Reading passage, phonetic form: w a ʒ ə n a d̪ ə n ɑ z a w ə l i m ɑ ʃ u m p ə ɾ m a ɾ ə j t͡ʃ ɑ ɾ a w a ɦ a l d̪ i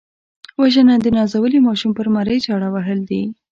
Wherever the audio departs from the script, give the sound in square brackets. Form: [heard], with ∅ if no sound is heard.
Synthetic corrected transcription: w a ʒ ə n a d̪ ə n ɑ z a w ə l i m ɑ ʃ u m p ə ɾ m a ɾ ə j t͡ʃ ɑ [ɽ] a w a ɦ [ə] l d̪ i